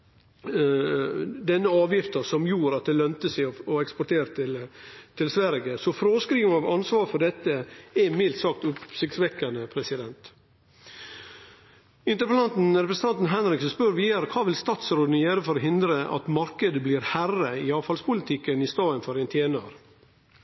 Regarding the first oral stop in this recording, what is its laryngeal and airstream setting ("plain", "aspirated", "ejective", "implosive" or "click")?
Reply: plain